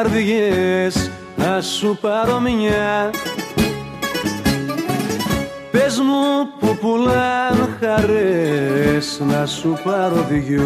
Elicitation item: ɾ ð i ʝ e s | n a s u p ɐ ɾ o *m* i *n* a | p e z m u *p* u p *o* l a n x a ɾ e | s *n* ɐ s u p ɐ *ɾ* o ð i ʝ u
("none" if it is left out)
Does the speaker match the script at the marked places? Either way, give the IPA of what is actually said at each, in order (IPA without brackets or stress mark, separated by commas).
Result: m, ɲ, p, u, n, ɾ